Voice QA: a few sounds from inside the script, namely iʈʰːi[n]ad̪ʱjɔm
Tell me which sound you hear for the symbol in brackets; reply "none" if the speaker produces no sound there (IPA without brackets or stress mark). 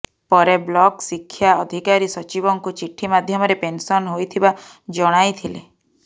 m